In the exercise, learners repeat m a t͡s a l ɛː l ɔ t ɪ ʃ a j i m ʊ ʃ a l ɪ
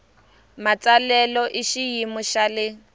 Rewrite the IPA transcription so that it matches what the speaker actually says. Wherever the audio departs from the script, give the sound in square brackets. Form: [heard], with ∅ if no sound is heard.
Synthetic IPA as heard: m a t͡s a l [ɛ] l ɔ [ʔ] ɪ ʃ [i] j i m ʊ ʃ a l ɪ